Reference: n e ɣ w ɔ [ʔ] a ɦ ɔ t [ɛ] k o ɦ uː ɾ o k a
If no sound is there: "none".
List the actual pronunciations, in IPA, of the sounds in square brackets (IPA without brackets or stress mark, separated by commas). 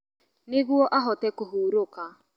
ʔ, ɛ